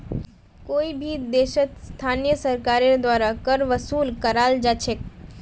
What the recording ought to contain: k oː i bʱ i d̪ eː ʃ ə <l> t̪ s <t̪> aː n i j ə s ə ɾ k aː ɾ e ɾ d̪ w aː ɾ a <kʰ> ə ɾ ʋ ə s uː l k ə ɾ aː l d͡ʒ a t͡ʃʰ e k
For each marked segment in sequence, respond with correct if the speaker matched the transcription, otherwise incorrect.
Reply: incorrect: none, incorrect: t̪ʰ, incorrect: k

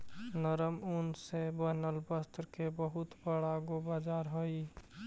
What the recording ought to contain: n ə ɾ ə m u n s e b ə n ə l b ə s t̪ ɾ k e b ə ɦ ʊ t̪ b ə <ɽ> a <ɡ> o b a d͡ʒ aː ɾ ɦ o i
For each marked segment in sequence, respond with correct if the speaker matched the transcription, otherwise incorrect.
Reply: correct, correct

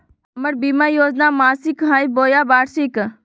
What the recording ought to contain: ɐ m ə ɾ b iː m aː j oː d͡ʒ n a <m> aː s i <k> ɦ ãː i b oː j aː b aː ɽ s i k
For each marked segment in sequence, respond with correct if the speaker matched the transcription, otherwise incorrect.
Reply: correct, correct

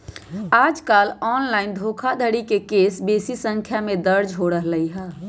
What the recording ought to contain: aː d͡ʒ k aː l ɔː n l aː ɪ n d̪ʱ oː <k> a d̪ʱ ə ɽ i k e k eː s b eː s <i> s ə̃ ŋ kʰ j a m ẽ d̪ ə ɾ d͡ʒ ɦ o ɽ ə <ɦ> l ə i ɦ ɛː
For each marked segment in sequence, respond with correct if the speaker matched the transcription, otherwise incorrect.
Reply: incorrect: kʰ, correct, correct

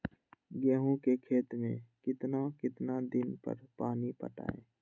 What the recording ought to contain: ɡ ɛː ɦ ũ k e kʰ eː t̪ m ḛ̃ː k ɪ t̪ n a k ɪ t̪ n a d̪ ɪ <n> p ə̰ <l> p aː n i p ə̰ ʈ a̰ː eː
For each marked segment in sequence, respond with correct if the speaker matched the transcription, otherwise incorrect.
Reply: correct, incorrect: ɾ

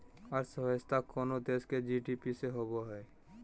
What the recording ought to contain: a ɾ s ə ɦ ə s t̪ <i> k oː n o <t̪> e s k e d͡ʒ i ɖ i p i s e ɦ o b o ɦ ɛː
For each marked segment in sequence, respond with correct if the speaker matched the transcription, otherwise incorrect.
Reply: incorrect: a, incorrect: d̪

